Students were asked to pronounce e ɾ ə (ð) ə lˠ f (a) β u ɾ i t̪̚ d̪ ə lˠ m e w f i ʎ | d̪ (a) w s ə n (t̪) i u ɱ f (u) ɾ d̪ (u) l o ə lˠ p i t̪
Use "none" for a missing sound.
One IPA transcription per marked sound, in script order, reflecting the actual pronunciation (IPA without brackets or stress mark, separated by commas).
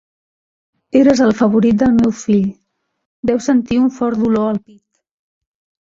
z, ə, ɛ, t̪, ɔ, u